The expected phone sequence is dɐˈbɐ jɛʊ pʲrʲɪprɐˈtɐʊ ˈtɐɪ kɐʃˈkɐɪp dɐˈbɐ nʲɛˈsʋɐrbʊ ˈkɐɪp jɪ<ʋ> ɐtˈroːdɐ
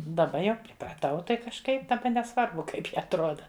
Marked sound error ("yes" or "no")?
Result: yes